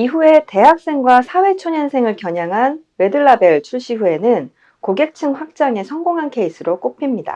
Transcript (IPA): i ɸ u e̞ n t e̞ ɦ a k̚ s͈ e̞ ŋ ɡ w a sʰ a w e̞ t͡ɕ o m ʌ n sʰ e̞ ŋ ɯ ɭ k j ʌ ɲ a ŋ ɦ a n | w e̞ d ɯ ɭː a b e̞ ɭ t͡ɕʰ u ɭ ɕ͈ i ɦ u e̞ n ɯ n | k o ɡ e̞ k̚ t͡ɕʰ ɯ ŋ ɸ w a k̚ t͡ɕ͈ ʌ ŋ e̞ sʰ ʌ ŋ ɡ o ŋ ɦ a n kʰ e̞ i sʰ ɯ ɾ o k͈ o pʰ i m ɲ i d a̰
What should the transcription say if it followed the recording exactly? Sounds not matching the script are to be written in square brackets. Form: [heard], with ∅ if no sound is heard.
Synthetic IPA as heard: i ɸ u e̞ [∅] t e̞ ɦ a k̚ s͈ e̞ ŋ ɡ w a sʰ a w e̞ [t͡ɕʰ] o [ɲ] ʌ n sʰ e̞ ŋ ɯ ɭ k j ʌ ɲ a ŋ ɦ a n | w e̞ d ɯ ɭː a b e̞ ɭ t͡ɕʰ u ɭ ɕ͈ i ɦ u e̞ n ɯ n | k o ɡ e̞ k̚ t͡ɕʰ ɯ ŋ ɸ w a k̚ t͡ɕ͈ [a] ŋ e̞ sʰ ʌ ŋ ɡ o ŋ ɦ a n kʰ e̞ i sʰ ɯ ɾ o k͈ o pʰ i m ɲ i d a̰